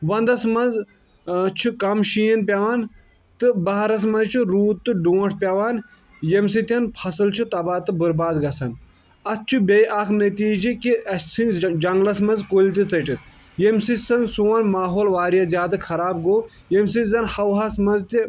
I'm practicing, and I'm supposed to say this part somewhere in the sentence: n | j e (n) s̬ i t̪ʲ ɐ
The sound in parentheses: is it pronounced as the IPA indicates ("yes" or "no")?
no